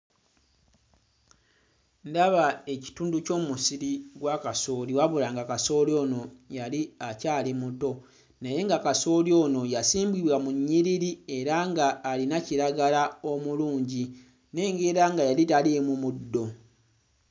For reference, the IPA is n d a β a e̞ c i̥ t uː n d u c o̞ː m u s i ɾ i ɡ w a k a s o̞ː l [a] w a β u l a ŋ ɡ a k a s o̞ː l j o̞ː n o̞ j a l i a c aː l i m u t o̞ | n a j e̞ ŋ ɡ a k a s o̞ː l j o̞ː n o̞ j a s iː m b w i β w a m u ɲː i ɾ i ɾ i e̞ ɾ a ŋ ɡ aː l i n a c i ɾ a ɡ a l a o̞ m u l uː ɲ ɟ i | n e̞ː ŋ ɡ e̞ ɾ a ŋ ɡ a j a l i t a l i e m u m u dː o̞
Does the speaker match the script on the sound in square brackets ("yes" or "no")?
no